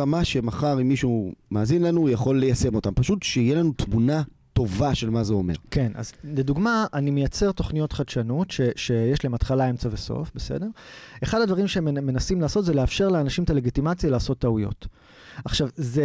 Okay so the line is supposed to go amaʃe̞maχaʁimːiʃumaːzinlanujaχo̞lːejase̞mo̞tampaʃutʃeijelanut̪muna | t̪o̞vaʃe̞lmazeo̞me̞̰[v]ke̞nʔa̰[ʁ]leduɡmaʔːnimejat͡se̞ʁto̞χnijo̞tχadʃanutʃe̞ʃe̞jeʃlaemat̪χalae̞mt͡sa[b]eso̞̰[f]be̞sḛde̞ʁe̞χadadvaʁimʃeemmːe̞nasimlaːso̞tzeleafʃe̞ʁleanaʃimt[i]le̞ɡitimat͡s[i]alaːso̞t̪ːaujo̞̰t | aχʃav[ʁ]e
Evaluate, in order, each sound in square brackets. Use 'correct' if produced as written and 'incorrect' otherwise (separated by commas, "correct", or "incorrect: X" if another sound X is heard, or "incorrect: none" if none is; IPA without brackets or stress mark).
incorrect: ʁ, incorrect: z, incorrect: v, correct, incorrect: a, incorrect: j, incorrect: z